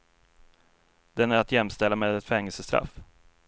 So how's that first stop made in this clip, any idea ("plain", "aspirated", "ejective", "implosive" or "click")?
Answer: plain